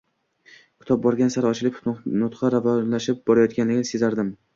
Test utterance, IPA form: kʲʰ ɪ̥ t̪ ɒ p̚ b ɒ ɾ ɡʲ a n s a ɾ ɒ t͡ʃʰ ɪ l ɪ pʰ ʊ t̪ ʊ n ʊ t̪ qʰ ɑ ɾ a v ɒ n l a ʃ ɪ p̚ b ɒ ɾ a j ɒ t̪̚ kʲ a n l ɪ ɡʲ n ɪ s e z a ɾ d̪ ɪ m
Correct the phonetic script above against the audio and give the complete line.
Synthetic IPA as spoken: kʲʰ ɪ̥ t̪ ɒ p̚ b ɒ ɾ ɡʲ a n s a ɾ ɒ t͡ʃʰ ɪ l ɪ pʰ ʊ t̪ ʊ n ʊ t̪ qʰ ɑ ɾ a v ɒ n l a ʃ ɪ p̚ b ɒ ɾ a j ɒ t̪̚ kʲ a n l ɪ ɡʲ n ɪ s e z a ɾ d̪ ɪ m